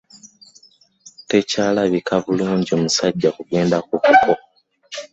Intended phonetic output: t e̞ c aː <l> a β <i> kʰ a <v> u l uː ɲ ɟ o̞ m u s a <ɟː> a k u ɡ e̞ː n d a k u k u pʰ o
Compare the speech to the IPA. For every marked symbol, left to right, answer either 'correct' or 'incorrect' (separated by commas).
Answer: correct, correct, correct, correct